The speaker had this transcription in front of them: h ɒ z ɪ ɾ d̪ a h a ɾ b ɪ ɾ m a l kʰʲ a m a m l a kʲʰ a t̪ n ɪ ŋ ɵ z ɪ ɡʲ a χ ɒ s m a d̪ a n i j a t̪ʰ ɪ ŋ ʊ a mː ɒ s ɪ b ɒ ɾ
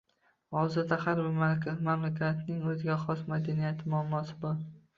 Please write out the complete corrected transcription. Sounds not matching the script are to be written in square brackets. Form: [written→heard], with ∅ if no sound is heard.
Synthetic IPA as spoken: h ɒ z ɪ ɾ d̪ a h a ɾ b ɪ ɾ m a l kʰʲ a m a m l a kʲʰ a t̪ n ɪ ŋ ɵ z ɪ ɡʲ a χ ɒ s m a d̪ a n i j a t̪ʰ ɪ [ŋ→m] ʊ a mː ɒ s ɪ b ɒ ɾ